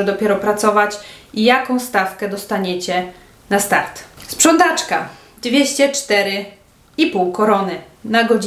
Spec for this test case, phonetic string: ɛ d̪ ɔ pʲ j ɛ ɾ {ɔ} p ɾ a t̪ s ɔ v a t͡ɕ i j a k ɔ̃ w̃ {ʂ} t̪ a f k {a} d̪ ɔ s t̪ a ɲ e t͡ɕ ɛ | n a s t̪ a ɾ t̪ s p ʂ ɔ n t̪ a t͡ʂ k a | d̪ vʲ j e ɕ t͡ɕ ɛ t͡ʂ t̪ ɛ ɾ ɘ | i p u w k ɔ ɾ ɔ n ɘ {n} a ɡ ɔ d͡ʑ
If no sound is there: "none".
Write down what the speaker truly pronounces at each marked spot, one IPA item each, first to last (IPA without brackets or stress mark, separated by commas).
ɔ, s, ɛ, n